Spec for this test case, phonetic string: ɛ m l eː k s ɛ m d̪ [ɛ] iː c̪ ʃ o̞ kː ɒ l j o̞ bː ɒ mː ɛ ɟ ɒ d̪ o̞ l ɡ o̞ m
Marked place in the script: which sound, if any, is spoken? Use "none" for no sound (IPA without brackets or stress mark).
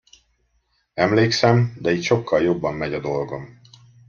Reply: ɛ